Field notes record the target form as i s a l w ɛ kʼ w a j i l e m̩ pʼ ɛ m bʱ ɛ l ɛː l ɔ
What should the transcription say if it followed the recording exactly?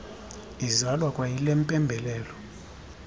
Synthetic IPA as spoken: i z a l w a kʼ w a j i l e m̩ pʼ ɛ m bʱ ɛ l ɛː l ɔ